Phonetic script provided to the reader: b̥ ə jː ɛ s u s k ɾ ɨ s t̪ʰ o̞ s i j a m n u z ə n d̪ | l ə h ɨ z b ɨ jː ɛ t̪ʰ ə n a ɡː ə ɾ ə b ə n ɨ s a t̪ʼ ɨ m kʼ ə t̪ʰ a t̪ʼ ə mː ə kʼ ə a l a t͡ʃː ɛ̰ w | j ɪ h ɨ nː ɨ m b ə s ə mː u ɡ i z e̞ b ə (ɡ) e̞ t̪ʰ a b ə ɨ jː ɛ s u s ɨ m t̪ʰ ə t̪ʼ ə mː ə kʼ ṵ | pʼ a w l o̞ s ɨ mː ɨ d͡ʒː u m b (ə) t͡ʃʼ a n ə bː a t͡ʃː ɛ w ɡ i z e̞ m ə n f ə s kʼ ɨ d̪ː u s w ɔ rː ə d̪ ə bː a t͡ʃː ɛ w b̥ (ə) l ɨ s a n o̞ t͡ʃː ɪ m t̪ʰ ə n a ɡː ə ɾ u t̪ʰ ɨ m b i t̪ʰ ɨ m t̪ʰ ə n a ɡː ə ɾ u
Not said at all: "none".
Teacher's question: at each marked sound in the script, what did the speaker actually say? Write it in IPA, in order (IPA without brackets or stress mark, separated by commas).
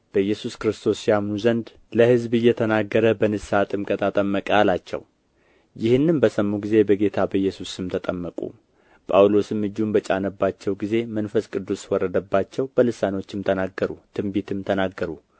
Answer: ɡ, ə, ə